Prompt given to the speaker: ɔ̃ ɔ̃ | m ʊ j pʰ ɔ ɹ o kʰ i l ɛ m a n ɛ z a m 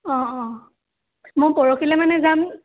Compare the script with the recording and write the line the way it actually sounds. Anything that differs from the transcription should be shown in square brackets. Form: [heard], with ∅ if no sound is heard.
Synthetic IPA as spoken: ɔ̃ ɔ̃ | m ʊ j [p] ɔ ɹ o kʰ i l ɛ m a n ɛ z a m

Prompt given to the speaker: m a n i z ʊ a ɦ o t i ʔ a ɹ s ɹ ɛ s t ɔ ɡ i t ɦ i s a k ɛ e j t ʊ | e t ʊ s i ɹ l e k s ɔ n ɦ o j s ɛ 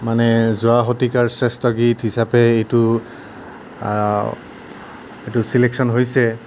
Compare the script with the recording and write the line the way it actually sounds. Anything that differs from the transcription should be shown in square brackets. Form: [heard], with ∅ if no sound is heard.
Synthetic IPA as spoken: m a n [ɛ] z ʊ a ɦ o t i [k] a ɹ s ɹ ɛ s t ɔ ɡ i t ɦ i s a [p] ɛ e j t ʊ | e t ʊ s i [∅] l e k s ɔ n ɦ o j s ɛ

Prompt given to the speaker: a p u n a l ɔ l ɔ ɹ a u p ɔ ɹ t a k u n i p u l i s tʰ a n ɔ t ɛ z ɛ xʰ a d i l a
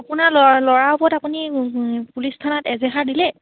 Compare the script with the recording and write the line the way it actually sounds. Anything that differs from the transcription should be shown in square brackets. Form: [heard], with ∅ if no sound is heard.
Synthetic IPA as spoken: a p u n a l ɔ l ɔ ɹ a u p ɔ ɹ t a [p] u n i p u l i s tʰ a n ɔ t ɛ z ɛ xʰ a d i l [ɛ]

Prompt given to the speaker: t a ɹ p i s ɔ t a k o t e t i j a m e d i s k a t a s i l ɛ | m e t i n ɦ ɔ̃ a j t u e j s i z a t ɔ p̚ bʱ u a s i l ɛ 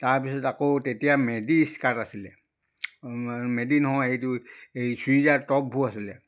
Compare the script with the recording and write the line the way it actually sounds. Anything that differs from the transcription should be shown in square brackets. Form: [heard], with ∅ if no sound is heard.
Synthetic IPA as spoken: t a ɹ p i s ɔ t a k o t e t i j a m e d i s k a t a s i l ɛ | m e [d] i n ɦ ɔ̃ [e] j t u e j s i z a t ɔ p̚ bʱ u a s i l ɛ

